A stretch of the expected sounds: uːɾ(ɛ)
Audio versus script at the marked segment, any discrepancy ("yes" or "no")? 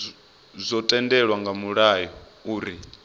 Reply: yes